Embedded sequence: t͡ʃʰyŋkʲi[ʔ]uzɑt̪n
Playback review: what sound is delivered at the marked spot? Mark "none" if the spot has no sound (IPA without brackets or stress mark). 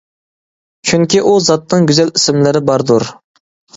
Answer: ʔ